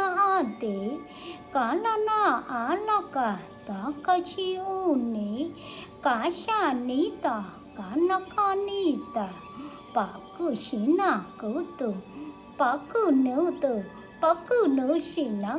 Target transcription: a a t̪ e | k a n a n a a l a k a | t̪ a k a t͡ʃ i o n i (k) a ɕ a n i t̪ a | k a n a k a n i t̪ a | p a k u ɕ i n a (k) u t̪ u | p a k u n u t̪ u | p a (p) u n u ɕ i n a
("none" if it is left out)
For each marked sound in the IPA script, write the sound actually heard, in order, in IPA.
k, k, k

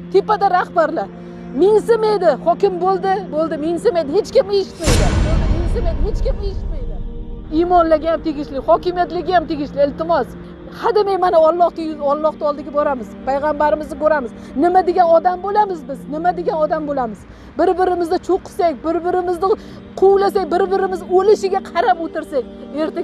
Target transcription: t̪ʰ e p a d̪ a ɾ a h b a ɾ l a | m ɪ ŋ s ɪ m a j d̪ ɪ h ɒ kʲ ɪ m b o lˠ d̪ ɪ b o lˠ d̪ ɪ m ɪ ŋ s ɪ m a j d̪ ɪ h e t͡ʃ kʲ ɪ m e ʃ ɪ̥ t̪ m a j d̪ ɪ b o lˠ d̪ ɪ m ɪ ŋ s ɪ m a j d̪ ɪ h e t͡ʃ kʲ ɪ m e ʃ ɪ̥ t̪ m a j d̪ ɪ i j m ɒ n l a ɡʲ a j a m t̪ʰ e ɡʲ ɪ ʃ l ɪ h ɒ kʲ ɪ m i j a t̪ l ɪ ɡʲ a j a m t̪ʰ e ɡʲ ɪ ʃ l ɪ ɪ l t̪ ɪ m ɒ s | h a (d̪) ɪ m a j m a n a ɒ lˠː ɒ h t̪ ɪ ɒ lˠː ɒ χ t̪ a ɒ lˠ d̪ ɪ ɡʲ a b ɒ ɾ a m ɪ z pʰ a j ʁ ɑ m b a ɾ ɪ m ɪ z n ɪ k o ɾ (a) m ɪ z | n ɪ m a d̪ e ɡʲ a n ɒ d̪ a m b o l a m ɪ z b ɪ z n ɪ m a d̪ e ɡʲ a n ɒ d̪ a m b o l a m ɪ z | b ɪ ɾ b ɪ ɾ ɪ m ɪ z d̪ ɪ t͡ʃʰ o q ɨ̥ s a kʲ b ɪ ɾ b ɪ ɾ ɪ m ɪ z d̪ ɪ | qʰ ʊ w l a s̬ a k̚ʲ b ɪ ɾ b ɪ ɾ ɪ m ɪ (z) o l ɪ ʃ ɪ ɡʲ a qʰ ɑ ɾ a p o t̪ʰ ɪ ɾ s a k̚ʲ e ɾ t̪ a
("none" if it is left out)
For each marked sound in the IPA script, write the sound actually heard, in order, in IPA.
d̪, a, z

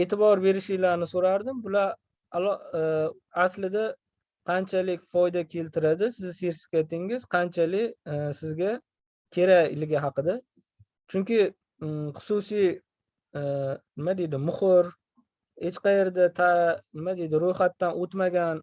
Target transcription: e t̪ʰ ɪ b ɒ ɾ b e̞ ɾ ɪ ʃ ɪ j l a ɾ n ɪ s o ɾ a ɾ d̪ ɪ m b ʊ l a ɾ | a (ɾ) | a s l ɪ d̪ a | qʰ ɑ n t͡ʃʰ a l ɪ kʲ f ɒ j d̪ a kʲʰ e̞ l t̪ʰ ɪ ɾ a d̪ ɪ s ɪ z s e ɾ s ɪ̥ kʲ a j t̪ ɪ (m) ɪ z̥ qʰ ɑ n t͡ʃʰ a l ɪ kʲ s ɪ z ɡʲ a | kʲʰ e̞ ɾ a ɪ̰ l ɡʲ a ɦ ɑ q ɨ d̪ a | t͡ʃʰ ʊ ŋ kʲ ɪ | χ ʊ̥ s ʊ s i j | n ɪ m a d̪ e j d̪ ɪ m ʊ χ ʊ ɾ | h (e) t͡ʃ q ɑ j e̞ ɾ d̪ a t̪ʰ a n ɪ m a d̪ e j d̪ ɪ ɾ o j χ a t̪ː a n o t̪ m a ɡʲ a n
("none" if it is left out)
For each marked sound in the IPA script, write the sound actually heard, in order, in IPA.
l, ŋ, e

